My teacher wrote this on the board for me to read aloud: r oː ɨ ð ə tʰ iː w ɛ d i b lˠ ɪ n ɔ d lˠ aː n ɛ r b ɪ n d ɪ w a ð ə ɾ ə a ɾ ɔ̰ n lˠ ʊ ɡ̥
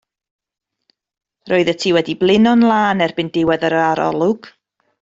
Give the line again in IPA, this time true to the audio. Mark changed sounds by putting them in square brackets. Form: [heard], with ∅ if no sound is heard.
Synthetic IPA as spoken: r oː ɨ ð ə tʰ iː w ɛ d i b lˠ ɪ n ɔ [n] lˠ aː n ɛ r b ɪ n d ɪ w [ɛ] ð ə ɾ ə a ɾ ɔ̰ [∅] lˠ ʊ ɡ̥